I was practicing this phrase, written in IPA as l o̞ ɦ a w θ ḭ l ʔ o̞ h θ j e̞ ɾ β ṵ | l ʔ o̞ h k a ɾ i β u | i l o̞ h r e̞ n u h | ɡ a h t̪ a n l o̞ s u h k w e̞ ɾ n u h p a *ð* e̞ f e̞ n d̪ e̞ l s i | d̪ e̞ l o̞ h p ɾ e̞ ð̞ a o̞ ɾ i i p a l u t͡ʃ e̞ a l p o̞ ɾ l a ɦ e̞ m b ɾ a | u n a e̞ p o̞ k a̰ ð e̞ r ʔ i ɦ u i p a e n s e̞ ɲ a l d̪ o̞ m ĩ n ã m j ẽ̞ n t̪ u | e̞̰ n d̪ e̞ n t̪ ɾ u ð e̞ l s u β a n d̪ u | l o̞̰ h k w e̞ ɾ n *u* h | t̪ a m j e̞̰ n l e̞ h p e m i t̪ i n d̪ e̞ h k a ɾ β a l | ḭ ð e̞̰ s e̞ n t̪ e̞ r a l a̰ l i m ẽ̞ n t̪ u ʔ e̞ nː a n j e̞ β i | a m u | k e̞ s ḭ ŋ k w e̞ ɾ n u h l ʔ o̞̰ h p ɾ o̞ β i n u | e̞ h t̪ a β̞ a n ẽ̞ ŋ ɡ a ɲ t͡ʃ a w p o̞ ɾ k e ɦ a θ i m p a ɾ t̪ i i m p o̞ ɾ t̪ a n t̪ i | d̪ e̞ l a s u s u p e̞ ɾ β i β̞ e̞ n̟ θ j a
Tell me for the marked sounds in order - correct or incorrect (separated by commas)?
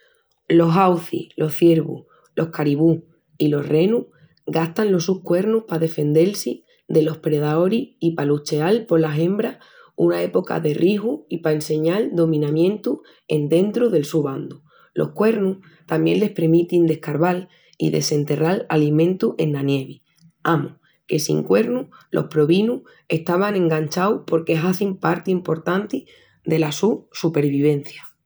correct, correct